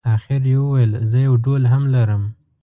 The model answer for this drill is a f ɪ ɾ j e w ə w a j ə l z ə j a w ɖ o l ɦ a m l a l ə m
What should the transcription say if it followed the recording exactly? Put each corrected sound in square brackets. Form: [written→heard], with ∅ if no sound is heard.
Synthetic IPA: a [f→x] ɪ ɾ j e w ə w a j ə l z ə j a w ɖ o l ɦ a m l a [l→ɾ] ə m

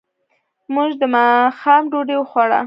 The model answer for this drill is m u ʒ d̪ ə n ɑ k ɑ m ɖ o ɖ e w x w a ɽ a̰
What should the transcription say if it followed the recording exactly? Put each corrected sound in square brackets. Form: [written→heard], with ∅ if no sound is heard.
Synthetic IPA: m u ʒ d̪ ə [n→m] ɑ [k→x] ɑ m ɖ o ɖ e w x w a ɽ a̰

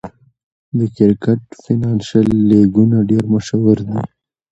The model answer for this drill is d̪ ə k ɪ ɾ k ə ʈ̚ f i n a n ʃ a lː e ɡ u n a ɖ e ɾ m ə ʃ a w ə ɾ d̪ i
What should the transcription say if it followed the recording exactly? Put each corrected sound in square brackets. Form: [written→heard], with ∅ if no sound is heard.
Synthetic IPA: d̪ ə k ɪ ɾ k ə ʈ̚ f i n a n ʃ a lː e ɡ u n a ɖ e ɾ m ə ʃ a w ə ɾ d̪ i

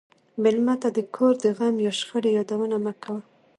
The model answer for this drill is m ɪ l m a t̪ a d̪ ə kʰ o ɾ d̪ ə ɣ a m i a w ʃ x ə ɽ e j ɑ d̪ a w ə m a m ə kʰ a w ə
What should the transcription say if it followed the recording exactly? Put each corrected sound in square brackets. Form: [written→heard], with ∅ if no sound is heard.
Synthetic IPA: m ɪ l m a t̪ a d̪ ə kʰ o ɾ d̪ ə ɣ a m [i→j] a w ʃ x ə ɽ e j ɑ d̪ a w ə [m→n] a m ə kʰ a w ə

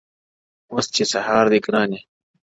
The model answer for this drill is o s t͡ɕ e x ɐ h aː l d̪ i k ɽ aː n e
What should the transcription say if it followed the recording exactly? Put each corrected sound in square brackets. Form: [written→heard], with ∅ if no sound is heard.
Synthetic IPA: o s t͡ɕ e [x→s] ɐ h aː [l→ɾ] d̪ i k [ɽ→ɾ] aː n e

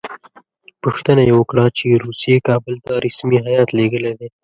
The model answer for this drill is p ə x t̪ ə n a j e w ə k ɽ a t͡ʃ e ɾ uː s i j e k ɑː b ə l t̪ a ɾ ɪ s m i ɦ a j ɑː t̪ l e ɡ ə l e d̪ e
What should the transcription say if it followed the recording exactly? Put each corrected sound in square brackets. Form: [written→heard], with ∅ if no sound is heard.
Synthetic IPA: p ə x t̪ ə n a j e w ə k ɽ a t͡ʃ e ɾ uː s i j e k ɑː b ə l t̪ a ɾ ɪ s m i ɦ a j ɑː t̪ l e ɡ ə l e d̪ e

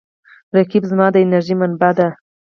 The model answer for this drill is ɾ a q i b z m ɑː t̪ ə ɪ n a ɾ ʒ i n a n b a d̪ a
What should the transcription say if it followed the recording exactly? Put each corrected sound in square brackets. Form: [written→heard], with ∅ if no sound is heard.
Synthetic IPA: ɾ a [q→k] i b z m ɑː [t̪→d̪] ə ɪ n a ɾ ʒ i [n→m] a n b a d̪ a

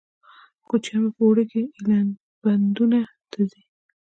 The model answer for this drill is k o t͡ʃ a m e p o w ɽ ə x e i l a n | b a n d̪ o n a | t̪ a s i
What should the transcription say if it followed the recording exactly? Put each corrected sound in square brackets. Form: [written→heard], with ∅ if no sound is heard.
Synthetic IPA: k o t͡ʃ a m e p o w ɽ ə [x→k] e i l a n | b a n d̪ [o→u] n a | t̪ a [s→z] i

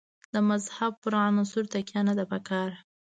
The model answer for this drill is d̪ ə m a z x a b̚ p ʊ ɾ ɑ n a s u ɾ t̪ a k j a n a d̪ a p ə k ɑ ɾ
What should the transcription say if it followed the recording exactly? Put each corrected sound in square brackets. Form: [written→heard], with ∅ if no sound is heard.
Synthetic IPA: d̪ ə m a z [x→h] a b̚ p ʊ ɾ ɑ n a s u ɾ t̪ a k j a n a d̪ a p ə k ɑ ɾ

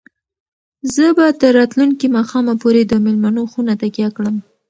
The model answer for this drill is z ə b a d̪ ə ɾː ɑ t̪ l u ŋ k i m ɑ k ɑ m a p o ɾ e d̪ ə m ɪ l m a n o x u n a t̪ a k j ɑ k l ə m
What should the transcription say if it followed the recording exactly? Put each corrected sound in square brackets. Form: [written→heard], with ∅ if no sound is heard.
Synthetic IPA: z ə b a [d̪→t̪] ə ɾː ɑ t̪ l u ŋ k i m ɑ [k→x] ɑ m a p o ɾ e d̪ ə m ɪ l m a n o x u n a t̪ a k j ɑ k [l→ɽ] ə m

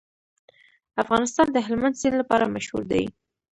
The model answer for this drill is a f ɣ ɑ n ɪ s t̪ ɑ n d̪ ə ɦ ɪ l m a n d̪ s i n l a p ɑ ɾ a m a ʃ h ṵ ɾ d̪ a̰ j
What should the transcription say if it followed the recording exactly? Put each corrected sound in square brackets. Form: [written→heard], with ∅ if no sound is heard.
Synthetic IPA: a f ɣ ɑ n ɪ s t̪ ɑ n d̪ ə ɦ ɪ l m a n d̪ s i n l a p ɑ ɾ a m a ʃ h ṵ ɾ d̪ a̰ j

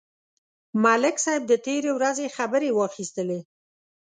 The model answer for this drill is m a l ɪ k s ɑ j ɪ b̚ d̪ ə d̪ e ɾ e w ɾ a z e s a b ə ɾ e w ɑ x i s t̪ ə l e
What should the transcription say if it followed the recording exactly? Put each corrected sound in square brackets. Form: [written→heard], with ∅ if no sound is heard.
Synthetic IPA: m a l ɪ k s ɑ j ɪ b̚ d̪ ə [d̪→t̪] e ɾ e w ɾ a z e [s→x] a b ə ɾ e w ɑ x i s t̪ ə l e

